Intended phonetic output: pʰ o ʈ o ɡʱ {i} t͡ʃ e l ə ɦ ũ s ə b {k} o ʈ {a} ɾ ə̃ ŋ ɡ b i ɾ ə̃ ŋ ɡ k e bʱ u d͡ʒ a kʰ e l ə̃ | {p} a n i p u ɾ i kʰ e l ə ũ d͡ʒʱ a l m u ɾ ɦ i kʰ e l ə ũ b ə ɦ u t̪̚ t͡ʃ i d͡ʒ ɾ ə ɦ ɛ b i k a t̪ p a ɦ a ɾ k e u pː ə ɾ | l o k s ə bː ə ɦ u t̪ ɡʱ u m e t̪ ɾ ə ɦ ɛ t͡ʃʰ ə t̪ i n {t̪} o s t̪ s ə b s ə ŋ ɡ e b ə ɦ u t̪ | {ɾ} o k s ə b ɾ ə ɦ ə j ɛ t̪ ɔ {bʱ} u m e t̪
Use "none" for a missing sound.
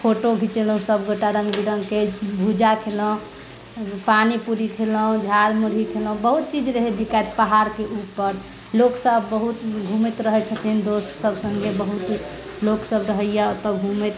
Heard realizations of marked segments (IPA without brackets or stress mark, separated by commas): i, ɡ, a, p, d̪, l, ɡʱ